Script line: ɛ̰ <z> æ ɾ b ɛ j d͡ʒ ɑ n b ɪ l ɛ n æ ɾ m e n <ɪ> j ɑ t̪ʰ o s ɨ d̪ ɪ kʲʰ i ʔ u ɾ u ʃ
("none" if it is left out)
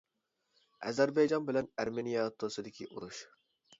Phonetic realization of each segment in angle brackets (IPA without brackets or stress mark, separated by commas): z, i